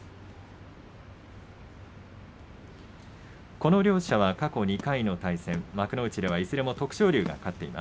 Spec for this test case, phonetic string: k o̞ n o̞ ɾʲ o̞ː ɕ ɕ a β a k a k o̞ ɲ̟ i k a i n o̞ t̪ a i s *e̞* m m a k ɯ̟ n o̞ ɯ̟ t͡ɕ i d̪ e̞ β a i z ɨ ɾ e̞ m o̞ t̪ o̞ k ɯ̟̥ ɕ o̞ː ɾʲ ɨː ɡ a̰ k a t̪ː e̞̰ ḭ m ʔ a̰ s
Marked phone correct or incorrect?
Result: incorrect